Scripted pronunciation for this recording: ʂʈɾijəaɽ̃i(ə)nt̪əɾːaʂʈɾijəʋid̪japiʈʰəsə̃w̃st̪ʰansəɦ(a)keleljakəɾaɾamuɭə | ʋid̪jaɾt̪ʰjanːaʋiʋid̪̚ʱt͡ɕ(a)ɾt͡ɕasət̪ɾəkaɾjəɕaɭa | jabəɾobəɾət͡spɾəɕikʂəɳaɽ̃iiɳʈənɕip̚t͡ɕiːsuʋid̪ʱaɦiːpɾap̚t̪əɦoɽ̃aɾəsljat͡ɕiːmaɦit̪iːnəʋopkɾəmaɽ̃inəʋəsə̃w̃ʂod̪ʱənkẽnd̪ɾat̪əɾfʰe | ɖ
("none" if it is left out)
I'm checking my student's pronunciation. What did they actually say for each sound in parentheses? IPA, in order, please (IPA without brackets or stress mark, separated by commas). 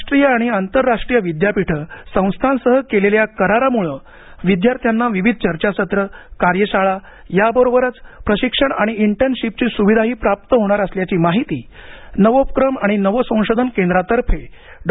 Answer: a, ə, ə